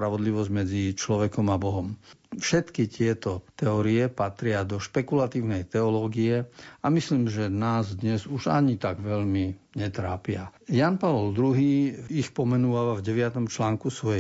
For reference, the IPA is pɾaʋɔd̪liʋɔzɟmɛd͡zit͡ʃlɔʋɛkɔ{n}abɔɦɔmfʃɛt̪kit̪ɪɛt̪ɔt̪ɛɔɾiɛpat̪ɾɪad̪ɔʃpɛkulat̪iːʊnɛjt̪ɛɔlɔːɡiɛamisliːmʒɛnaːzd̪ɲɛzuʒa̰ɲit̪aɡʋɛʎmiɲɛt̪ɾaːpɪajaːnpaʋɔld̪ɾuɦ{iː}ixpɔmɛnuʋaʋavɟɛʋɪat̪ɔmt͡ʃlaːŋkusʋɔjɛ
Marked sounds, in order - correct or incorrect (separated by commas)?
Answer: incorrect, correct